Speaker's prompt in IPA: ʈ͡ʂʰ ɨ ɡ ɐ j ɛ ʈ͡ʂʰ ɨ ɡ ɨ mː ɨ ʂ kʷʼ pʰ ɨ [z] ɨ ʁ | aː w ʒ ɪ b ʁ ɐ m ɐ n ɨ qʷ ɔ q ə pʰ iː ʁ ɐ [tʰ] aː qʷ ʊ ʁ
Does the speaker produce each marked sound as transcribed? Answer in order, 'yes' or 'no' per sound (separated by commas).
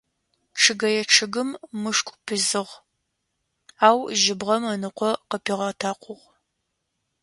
yes, yes